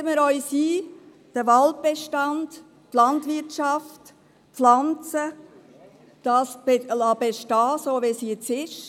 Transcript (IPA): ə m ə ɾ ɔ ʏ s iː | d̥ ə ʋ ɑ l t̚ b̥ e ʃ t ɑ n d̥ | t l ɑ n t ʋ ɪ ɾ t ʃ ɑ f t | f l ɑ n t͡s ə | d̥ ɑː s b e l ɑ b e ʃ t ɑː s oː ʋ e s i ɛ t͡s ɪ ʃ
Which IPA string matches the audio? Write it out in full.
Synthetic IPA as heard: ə m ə ɾ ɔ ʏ s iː | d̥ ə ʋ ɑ l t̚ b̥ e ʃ t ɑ n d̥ | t l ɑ n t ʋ ɪ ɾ t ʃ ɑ f t | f l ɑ n t͡s ə | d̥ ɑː s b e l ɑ b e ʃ t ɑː s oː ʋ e s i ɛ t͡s ɪ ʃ